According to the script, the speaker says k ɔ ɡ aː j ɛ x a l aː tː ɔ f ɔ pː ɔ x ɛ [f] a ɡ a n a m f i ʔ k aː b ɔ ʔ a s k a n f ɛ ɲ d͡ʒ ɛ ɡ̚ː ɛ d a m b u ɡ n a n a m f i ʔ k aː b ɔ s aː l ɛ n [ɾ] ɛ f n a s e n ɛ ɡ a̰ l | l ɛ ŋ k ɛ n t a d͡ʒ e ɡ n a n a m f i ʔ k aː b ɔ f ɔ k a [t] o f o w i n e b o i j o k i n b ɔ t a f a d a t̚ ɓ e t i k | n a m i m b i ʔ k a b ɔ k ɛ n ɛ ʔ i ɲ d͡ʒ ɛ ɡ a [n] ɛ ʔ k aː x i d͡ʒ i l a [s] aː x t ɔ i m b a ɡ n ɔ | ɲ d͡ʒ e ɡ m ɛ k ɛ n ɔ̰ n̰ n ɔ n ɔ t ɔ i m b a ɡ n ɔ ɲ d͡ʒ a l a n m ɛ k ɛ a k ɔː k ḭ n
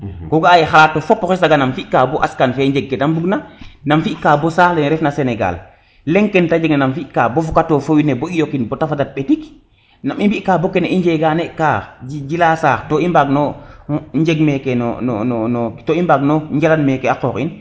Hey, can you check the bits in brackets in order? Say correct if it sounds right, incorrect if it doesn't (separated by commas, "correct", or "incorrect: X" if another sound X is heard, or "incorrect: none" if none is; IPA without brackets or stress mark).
incorrect: s, correct, correct, correct, correct